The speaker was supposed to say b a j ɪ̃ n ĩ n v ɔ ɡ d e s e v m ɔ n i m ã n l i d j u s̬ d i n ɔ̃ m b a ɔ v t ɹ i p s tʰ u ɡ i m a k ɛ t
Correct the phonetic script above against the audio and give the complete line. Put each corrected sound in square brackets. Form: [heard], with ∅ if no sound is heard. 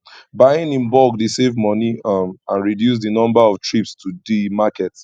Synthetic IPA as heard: b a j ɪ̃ n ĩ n [b] ɔ ɡ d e s e v m ɔ n i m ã n [ɹ] i d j u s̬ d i n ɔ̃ m b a ɔ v t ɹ i p s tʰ u [d] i m a k ɛ t